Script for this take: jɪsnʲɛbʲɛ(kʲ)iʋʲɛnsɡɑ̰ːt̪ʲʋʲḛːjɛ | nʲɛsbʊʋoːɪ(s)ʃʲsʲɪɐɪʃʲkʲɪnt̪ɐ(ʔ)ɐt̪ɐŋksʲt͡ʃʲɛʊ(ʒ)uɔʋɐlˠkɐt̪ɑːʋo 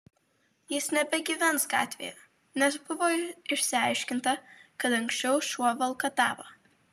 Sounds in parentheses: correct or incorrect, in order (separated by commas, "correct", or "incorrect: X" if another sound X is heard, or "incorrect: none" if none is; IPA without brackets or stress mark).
incorrect: ɡʲ, incorrect: none, incorrect: k, incorrect: ʃ